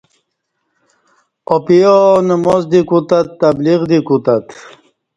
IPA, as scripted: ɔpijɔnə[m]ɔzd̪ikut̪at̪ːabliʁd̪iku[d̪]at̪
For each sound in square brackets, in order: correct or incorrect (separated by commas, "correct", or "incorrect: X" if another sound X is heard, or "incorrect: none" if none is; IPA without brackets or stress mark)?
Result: correct, incorrect: t̪